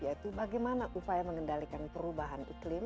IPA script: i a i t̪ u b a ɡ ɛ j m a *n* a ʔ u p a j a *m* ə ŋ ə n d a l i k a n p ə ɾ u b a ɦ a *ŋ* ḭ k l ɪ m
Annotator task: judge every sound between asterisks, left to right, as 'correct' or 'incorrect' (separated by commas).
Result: correct, correct, incorrect